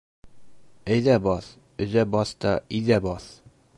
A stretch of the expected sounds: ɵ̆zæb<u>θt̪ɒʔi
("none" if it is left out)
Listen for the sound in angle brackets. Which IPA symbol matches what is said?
ɒ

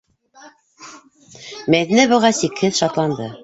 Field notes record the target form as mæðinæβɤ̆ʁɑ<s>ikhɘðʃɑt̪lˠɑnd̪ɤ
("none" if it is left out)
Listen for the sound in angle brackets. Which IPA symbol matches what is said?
s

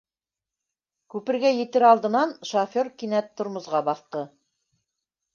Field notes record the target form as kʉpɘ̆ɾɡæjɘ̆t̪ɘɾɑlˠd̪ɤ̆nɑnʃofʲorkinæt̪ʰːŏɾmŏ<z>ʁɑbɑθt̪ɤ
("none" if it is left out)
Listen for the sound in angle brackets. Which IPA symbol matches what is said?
z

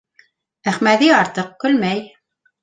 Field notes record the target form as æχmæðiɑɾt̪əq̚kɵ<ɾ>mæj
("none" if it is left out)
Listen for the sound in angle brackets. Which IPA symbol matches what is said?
l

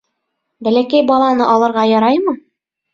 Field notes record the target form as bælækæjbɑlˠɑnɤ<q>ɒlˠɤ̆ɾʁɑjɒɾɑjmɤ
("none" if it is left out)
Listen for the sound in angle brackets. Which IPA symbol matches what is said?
ʔ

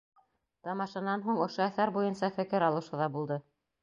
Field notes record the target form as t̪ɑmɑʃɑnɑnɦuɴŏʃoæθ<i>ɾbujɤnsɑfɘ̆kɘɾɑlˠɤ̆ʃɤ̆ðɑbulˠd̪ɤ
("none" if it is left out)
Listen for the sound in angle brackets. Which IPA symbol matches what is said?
æ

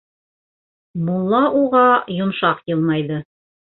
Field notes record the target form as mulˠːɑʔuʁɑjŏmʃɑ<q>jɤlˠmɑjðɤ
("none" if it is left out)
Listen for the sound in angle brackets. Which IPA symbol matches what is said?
q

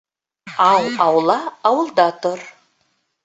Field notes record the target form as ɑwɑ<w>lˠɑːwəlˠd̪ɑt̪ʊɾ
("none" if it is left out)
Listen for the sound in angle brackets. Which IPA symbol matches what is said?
w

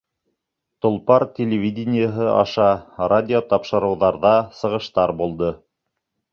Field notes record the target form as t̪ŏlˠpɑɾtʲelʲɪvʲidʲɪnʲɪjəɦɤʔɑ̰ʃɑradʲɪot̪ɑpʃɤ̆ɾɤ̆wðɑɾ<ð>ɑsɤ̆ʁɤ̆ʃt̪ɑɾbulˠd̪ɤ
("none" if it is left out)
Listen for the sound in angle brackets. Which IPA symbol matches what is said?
ð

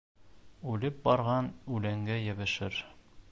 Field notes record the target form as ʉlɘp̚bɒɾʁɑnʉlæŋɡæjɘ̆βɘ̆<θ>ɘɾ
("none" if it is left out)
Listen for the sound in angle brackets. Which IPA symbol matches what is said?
ʃ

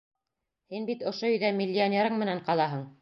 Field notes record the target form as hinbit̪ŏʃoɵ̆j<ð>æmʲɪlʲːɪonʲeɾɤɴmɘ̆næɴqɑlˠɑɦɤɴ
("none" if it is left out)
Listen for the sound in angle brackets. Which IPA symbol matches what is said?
ð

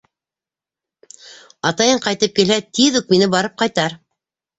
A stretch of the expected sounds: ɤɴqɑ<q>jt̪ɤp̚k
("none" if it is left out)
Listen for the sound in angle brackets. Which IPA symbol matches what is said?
none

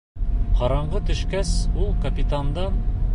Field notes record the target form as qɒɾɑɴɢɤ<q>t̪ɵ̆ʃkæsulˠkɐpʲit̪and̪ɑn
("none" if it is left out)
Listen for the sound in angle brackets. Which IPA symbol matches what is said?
none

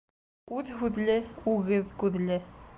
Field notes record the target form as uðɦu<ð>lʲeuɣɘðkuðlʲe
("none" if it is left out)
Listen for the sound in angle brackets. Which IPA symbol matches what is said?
ð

